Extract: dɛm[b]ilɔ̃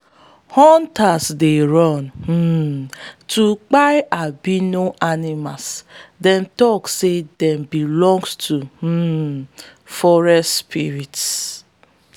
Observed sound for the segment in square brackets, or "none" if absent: b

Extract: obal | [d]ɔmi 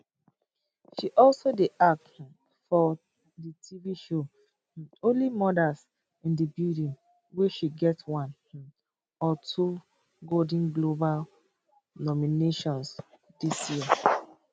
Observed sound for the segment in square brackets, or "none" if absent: n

